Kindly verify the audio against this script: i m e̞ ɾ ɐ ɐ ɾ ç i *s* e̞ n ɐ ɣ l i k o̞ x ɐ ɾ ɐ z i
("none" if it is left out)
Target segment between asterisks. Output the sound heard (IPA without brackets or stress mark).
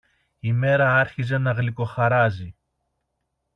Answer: z